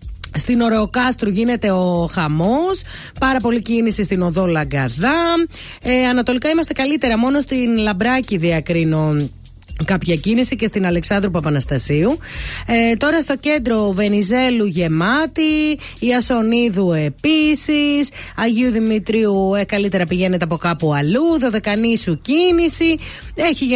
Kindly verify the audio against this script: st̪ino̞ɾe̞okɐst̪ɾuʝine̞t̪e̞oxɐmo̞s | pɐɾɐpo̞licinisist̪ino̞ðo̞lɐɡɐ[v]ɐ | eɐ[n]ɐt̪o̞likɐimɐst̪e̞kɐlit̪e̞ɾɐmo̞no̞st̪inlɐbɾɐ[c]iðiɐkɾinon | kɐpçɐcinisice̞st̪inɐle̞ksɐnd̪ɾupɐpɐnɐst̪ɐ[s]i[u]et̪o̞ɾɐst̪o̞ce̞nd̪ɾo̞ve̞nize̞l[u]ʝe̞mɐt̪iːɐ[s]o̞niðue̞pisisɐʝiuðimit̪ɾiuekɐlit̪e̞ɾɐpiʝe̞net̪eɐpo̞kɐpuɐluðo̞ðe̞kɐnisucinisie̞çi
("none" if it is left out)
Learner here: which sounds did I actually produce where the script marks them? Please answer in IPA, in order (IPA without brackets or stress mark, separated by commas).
ð, n, c, s, u, u, s